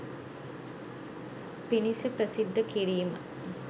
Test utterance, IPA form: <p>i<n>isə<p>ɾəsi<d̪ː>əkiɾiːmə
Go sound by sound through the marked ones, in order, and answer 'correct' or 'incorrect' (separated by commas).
correct, correct, correct, correct